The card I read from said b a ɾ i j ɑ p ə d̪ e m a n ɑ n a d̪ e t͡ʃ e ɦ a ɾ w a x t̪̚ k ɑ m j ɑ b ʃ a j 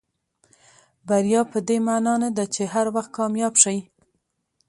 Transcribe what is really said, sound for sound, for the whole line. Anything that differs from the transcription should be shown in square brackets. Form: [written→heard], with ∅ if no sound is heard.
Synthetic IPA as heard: b a ɾ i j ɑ p ə d̪ e m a n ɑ n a d̪ [e→a] t͡ʃ e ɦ a ɾ w a x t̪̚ k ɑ m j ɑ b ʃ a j